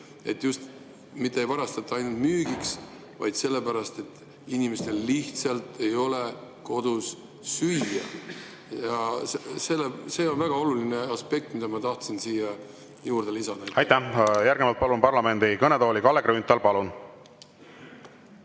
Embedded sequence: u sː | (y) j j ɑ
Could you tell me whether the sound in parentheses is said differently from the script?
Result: no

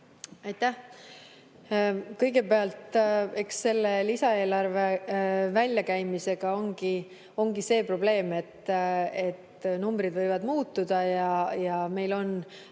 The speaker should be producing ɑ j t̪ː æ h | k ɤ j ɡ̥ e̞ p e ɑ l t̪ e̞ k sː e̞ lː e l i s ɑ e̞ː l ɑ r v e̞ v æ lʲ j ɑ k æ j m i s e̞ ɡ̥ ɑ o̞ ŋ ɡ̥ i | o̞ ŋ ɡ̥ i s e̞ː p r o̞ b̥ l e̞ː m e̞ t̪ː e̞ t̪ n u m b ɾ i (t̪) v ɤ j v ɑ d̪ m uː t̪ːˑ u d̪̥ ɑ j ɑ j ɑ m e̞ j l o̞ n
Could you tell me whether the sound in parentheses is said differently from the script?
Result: yes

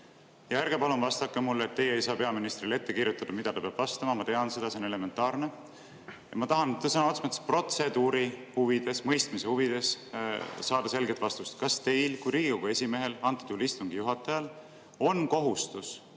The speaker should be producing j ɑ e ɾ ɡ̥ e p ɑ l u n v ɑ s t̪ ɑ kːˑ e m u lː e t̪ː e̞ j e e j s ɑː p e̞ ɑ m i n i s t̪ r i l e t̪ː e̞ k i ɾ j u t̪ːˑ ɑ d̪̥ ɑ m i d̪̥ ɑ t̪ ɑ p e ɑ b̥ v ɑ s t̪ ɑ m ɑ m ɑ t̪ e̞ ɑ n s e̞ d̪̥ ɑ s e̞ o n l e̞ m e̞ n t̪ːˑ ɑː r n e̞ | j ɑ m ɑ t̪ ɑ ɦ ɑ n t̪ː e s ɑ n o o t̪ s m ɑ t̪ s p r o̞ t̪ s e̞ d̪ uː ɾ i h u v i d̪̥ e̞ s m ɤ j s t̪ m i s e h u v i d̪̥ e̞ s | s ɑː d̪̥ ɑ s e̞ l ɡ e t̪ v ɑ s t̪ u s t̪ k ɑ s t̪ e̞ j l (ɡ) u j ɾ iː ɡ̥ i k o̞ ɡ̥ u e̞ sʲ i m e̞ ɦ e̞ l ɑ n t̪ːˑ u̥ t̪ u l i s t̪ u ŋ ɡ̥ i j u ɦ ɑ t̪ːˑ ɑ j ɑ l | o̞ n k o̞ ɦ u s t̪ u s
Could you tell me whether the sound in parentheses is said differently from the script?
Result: yes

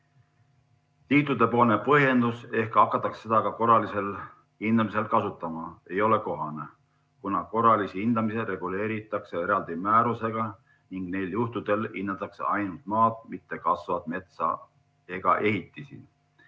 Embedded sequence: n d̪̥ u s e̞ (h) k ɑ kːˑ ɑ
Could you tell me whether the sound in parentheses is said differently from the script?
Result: no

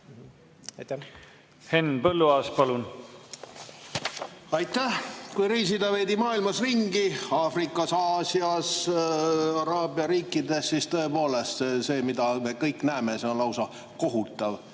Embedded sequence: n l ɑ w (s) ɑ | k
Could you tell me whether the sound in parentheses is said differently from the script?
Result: no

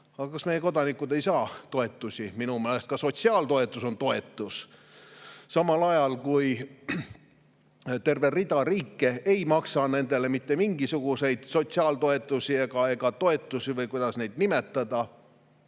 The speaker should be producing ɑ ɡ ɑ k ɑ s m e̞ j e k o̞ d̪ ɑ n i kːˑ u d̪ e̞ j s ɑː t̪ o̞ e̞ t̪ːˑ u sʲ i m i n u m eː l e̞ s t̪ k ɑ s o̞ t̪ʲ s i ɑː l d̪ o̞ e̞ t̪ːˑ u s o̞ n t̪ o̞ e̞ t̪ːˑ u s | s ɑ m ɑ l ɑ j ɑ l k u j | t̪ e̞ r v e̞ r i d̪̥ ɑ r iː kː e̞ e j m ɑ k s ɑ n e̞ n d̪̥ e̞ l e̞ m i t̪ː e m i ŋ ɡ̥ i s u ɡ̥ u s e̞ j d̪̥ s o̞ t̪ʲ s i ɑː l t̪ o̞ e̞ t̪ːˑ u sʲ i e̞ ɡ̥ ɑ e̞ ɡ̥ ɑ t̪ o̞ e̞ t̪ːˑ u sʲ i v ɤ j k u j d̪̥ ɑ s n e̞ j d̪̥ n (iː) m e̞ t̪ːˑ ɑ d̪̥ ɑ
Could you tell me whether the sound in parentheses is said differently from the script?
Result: yes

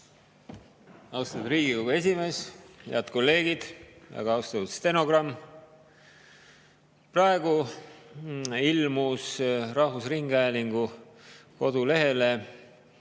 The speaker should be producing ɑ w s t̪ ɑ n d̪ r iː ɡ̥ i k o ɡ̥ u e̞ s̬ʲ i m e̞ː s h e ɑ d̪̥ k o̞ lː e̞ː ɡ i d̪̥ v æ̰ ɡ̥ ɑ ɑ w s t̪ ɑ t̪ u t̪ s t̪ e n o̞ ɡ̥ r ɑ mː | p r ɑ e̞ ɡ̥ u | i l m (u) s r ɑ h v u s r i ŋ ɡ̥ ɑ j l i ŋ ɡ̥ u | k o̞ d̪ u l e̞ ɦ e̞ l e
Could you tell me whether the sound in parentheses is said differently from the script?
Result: no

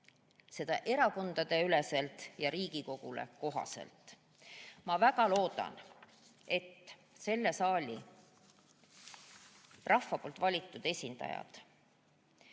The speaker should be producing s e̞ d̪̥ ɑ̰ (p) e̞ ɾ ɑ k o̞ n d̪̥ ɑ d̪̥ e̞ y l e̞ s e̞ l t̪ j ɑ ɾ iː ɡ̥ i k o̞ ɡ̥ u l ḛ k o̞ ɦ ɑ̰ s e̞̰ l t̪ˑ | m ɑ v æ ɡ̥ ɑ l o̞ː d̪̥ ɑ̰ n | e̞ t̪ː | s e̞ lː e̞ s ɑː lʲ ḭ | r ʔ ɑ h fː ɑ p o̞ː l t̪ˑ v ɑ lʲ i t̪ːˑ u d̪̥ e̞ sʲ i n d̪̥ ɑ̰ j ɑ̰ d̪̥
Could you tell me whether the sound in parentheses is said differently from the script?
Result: yes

